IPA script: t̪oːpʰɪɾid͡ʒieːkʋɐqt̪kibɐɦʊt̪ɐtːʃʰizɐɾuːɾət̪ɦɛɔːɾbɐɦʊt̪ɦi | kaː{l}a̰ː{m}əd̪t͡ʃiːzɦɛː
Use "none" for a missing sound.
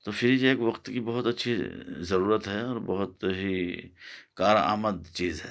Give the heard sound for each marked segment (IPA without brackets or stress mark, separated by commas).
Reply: ɾ, m